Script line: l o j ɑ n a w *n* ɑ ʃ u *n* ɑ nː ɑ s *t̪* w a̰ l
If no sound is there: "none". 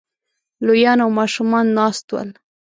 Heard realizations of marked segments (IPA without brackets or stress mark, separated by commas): m, m, t̪